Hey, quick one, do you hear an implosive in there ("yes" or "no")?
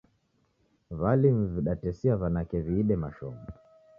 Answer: yes